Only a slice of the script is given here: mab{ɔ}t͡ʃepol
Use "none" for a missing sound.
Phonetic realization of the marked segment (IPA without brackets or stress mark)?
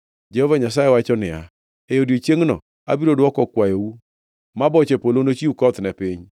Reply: ɔ